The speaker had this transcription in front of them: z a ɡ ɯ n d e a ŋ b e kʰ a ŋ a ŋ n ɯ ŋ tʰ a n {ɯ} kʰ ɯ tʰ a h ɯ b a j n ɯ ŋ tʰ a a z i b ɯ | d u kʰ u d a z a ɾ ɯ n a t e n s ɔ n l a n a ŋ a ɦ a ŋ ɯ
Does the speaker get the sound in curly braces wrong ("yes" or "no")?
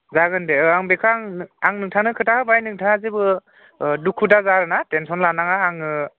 no